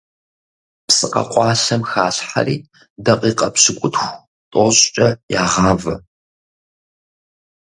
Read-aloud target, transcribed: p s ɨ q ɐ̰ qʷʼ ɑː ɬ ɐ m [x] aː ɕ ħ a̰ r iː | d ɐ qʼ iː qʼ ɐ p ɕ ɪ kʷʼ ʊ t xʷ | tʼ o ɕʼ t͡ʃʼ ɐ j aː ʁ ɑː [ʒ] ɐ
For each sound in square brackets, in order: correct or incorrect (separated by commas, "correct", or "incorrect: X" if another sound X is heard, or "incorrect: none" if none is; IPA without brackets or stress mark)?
correct, incorrect: v